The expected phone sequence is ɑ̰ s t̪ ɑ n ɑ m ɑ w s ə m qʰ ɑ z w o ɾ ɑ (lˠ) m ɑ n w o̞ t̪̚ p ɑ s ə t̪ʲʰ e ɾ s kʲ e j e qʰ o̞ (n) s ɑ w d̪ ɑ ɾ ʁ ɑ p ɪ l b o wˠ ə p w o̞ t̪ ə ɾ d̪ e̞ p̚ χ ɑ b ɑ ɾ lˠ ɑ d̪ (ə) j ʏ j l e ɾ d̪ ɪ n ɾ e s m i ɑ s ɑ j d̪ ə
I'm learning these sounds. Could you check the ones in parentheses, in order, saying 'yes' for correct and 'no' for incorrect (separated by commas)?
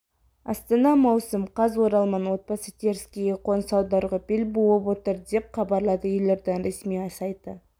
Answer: yes, yes, yes